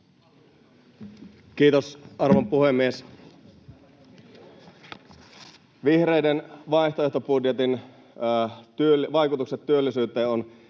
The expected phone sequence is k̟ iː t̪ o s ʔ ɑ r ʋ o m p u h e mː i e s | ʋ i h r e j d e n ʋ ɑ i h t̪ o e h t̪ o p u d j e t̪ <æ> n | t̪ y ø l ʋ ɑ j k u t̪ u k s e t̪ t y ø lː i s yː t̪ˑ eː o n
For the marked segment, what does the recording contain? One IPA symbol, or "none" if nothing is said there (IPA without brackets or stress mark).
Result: i